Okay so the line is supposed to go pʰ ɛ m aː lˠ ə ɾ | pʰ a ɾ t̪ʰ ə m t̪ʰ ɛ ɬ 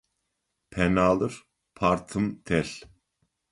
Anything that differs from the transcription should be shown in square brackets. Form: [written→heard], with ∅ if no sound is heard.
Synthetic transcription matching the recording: pʰ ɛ [m→n] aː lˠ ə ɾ | pʰ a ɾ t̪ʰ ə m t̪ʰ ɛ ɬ